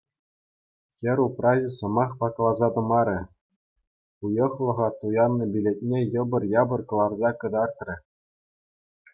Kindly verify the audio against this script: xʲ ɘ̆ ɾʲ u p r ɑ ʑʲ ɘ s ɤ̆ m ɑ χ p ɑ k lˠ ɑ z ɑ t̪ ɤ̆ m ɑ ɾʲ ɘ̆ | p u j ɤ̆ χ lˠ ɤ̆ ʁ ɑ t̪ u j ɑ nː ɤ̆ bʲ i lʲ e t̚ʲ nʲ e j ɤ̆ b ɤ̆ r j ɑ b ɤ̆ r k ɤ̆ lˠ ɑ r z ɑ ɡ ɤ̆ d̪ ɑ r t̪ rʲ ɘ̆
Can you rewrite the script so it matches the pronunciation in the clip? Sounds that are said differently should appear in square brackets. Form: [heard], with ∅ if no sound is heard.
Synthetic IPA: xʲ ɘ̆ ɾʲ u p r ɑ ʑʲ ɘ s ɤ̆ m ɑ χ p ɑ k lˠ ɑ z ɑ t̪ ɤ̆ m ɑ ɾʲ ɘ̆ | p u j ɤ̆ χ lˠ ɤ̆ ʁ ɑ t̪ u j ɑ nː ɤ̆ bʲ i lʲ e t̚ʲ nʲ e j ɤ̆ b ɤ̆ r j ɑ b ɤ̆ r k ɤ̆ lˠ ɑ r z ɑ [k] ɤ̆ d̪ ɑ r t̪ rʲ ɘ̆

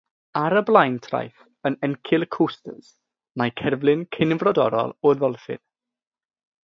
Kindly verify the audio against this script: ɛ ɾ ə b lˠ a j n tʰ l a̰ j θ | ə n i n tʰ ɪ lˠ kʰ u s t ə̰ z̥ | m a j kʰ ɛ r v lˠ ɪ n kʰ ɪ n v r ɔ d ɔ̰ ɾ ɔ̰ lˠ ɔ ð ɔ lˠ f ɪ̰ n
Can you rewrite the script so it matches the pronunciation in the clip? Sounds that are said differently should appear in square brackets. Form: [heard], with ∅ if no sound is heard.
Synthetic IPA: [a] ɾ ə b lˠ a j n tʰ [r] a̰ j θ | ə n [ɛ] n [kʰ] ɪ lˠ kʰ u s t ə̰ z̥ | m a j kʰ ɛ r v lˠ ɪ n kʰ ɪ n v r ɔ d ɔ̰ ɾ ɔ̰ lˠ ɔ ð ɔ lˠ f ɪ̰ n

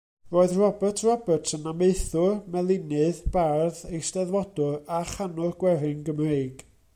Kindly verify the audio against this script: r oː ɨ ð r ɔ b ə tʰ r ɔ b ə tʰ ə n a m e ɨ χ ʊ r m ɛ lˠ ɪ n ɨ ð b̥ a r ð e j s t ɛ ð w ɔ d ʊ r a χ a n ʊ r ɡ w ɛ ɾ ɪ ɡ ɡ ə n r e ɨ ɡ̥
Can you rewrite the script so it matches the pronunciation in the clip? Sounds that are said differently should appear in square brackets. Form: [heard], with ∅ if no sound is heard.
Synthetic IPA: r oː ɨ ð r ɔ b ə tʰ r ɔ b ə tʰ ə n a m e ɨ [θ] ʊ r m ɛ lˠ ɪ n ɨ ð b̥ a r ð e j s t ɛ ð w ɔ d ʊ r a χ a n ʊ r ɡ w ɛ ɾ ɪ [ŋ] ɡ ə [m] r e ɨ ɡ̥

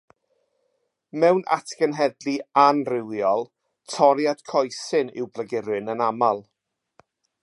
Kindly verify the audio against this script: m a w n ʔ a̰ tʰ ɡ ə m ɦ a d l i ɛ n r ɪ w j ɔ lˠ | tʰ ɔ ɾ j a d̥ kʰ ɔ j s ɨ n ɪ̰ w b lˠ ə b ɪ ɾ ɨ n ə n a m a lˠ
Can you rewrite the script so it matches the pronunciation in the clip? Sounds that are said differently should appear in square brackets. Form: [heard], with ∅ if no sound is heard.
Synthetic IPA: m [ɛ] w n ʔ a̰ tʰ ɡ ə [n] ɦ [ɛ] d l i [a] n r ɪ w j ɔ lˠ | tʰ ɔ ɾ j a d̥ kʰ ɔ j s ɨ n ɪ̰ w b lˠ ə [ɡ] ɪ ɾ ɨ n ə n a m a lˠ

